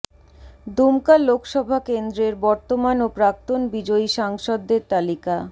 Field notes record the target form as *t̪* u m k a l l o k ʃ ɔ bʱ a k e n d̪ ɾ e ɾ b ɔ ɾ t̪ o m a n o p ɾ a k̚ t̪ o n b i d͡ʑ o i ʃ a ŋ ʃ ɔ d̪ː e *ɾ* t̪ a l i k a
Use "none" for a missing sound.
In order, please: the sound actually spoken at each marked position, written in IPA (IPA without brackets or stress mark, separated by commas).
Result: d̪, ɾ